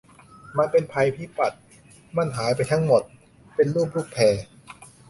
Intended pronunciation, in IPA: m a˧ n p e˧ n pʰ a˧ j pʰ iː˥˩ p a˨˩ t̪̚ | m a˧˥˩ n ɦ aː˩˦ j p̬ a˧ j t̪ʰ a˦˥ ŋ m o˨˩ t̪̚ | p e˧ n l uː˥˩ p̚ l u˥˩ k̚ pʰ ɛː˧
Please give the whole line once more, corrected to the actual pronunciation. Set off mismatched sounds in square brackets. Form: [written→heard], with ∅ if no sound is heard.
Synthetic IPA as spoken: m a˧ n p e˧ n pʰ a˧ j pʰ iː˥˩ p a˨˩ t̪̚ | m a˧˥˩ n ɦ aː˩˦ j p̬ a˧ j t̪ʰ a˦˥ ŋ m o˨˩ t̪̚ | p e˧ n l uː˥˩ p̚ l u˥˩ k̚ pʰ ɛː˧